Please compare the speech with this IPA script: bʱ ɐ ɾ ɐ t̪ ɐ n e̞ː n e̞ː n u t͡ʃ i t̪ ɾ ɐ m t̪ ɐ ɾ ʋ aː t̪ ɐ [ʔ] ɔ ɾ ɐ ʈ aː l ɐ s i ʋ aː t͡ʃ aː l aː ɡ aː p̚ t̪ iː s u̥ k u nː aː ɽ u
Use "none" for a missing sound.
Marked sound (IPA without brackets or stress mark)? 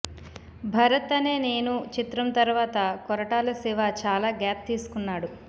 k